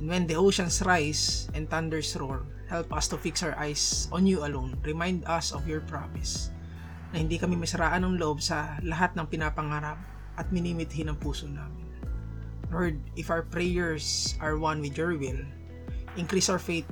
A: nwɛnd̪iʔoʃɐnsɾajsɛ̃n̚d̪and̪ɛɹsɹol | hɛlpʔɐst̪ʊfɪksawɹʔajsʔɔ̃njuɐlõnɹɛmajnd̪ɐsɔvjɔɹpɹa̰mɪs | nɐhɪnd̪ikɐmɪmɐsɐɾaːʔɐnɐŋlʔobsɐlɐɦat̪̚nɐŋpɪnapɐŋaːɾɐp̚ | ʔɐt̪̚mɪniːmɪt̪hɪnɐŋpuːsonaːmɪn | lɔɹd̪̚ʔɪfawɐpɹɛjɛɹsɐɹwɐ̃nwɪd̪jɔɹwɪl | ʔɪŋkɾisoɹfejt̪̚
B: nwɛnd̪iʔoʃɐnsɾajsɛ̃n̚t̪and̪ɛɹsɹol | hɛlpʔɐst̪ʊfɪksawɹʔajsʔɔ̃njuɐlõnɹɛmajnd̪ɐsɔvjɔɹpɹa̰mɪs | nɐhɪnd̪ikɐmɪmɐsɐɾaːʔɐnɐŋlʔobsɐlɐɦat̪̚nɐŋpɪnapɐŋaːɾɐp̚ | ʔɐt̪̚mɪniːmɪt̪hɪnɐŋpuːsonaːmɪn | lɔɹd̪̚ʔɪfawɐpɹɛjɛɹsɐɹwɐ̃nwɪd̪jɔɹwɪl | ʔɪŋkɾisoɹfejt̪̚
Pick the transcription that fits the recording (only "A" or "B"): B